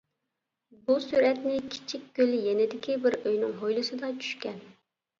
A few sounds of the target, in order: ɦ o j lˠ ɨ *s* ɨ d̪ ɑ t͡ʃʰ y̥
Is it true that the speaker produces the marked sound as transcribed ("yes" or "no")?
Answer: yes